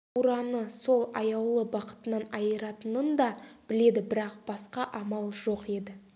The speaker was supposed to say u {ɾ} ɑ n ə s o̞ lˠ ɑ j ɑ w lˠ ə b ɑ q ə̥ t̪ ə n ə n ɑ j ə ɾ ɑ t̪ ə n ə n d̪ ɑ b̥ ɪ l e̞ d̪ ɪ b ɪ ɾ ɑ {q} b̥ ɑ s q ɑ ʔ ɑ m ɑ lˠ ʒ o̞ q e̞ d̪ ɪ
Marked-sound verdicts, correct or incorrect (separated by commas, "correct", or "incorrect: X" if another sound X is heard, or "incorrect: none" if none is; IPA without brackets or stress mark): correct, correct